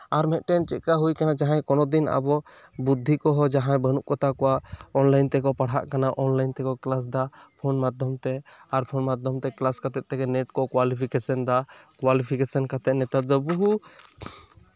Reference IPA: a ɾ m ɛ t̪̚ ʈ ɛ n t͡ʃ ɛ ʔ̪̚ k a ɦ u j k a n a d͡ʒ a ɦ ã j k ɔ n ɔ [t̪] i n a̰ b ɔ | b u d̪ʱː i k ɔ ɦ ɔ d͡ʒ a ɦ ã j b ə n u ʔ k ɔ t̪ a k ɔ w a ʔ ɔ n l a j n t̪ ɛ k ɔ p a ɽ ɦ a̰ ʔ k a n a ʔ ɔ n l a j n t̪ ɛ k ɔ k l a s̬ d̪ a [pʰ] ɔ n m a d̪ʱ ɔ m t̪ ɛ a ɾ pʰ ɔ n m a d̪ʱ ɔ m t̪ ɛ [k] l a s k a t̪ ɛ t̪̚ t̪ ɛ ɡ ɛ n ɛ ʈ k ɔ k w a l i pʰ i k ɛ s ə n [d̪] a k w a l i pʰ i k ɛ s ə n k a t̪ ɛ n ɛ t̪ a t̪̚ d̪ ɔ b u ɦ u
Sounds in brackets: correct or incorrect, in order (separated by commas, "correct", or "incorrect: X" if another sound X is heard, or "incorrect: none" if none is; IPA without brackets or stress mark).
incorrect: d̪, correct, correct, correct